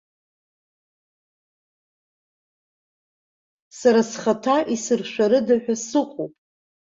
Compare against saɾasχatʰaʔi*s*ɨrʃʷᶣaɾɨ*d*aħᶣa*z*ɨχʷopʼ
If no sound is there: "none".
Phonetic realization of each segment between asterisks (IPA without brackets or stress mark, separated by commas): s, d, s